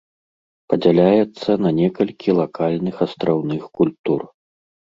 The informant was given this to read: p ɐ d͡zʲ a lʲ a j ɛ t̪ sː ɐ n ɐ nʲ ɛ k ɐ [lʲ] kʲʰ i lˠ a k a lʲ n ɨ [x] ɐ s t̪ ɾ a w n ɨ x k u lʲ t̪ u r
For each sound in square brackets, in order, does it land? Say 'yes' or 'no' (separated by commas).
yes, yes